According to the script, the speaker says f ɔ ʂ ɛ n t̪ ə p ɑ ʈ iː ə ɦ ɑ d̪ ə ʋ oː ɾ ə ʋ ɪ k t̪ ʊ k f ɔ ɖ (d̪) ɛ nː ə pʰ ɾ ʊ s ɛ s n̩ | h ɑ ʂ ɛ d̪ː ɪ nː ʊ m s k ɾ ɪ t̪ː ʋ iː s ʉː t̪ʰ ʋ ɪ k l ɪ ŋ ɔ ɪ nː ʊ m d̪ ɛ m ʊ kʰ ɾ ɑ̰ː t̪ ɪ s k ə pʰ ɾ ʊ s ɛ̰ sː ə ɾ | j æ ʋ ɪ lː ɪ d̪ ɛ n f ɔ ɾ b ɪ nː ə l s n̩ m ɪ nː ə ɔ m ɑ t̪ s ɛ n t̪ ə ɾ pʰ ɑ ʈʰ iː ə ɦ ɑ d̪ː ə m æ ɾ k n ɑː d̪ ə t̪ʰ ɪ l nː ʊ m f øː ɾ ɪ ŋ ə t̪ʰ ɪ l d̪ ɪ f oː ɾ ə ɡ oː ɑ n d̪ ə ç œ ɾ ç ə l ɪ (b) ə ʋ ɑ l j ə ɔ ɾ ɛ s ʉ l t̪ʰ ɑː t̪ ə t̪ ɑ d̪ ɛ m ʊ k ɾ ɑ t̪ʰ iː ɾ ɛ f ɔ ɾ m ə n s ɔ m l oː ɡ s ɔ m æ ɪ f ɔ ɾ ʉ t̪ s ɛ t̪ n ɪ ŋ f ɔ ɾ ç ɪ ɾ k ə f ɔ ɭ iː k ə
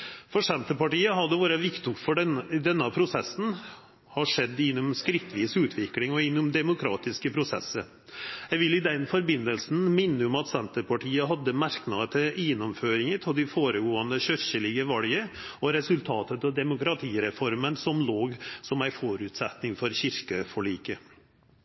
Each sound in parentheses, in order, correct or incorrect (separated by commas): correct, incorrect